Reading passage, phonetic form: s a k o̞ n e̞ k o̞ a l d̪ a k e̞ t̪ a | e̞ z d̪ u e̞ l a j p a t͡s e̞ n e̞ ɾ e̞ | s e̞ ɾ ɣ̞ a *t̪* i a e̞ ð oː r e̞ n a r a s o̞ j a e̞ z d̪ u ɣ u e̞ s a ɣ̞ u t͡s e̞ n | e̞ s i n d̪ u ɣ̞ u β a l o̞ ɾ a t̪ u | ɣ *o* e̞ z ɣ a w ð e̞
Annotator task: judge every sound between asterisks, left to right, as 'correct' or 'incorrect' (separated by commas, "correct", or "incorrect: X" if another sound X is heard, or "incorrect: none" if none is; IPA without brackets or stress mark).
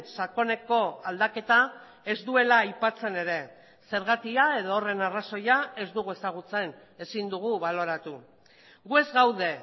correct, incorrect: u